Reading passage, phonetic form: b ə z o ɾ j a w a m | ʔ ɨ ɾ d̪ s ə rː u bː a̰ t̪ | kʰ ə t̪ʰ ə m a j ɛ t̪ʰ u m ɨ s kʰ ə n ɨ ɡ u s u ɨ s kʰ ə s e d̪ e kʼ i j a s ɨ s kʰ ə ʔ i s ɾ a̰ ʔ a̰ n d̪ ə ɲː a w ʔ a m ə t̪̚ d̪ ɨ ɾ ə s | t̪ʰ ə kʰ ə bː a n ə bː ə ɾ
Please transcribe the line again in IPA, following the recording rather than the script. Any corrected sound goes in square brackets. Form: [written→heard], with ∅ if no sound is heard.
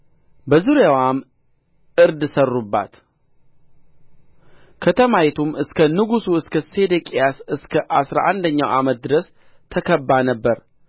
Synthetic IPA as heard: b ə z [o→u] ɾ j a w a m | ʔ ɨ ɾ d̪ s ə rː u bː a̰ t̪ | kʰ ə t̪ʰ ə m a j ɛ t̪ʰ u m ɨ s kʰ ə n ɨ ɡ u s u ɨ s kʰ ə s e d̪ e kʼ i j a s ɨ s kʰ ə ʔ [i→a] s ɾ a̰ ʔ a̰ n d̪ ə ɲː a w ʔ a m ə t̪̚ d̪ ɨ ɾ ə s | t̪ʰ ə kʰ ə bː a n ə bː ə ɾ